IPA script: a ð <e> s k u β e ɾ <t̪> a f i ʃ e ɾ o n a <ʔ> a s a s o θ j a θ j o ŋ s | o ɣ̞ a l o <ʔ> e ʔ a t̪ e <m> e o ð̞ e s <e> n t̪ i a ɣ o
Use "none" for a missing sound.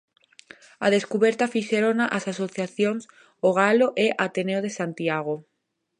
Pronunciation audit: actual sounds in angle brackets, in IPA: e, t̪, ʔ, ʔ, n, a

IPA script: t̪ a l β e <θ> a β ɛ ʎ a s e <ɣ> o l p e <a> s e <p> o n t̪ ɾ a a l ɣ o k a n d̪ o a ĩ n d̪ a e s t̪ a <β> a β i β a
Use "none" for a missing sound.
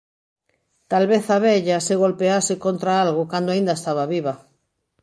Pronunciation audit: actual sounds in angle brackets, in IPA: θ, ɣ, a, k, β

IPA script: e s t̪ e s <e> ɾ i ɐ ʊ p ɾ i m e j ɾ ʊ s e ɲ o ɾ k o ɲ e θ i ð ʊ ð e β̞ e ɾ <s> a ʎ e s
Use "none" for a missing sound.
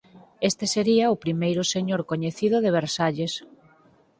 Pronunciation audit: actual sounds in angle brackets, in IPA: e, s

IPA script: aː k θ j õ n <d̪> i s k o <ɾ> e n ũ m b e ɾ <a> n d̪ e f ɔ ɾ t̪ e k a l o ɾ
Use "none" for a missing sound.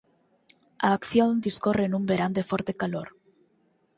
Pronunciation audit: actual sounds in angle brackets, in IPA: d̪, r, a

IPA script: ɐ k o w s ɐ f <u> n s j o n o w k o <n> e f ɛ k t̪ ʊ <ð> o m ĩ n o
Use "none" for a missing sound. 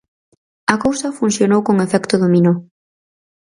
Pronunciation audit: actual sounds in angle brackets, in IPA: u, ŋ, ð

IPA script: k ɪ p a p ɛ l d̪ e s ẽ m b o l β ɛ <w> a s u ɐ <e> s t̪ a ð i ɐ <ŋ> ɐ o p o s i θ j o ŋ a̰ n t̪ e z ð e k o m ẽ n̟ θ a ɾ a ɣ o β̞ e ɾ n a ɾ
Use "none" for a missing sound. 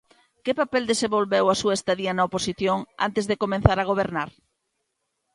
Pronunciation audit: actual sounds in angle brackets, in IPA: w, e, n

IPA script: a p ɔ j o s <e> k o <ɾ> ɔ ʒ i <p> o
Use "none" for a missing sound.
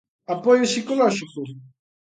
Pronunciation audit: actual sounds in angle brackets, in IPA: i, l, k

